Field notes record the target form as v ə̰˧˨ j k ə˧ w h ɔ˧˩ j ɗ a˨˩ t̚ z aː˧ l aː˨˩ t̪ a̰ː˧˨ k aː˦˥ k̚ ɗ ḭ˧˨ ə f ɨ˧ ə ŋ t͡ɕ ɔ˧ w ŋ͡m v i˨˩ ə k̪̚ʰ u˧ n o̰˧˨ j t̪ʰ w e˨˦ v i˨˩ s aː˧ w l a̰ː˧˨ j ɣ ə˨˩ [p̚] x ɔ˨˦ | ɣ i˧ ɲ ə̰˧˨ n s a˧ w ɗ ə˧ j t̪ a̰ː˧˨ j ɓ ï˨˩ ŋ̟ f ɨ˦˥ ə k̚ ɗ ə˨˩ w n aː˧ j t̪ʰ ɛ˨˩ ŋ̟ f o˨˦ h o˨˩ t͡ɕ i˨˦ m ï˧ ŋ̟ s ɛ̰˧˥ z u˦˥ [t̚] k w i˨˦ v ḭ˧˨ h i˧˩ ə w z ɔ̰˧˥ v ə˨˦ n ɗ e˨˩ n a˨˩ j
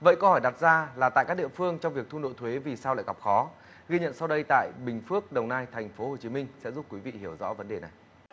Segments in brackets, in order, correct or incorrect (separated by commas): correct, incorrect